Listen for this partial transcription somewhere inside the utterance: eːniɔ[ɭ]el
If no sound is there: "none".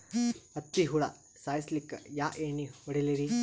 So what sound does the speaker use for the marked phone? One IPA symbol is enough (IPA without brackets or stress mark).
ɽ